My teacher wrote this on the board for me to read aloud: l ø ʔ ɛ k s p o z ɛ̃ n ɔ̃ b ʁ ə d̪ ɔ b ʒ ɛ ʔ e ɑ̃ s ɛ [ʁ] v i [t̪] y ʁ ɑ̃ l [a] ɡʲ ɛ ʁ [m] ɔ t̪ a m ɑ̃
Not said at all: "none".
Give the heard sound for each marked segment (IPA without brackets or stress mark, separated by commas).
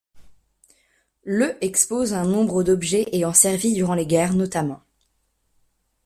ʁ, d̪, e, n